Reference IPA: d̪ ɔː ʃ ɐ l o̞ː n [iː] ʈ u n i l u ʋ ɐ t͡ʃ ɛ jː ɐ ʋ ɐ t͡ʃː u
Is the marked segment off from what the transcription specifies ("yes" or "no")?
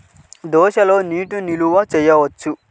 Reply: no